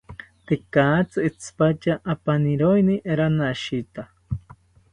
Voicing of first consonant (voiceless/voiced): voiceless